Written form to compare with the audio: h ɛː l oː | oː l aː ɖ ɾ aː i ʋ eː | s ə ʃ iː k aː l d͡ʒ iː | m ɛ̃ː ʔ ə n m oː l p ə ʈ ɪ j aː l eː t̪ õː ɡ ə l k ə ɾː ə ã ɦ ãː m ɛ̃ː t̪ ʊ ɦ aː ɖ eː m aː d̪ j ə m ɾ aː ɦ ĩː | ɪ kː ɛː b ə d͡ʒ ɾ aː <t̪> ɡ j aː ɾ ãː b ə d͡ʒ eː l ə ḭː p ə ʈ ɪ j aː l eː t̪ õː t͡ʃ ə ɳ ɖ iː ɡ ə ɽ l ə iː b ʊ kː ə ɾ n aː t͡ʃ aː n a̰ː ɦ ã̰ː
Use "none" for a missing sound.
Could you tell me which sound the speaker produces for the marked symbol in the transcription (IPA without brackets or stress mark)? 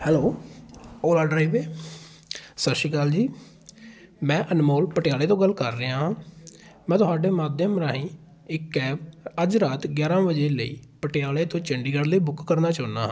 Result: t̪